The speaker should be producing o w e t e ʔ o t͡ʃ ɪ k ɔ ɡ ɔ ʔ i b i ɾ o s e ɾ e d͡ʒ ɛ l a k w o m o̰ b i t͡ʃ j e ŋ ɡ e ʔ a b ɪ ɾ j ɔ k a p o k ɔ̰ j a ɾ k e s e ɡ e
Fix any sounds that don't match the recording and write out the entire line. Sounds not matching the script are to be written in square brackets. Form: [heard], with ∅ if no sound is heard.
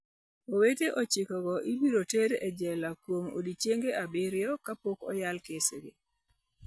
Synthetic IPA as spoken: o w e t e ʔ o t͡ʃ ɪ k ɔ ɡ ɔ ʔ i b i ɾ o [t] e ɾ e d͡ʒ ɛ l a k w o m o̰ [d] i t͡ʃ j e ŋ ɡ e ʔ a b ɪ ɾ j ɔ k a p o k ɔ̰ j a [l] k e s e ɡ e